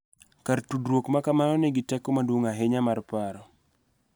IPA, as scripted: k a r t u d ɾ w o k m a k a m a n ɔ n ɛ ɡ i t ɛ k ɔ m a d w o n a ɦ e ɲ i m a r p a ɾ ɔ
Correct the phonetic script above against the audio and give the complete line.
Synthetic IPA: k a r t u d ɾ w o k m a k a m a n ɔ n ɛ ɡ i t ɛ k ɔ m a d w o ŋ a ɦ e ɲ a m a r p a ɾ ɔ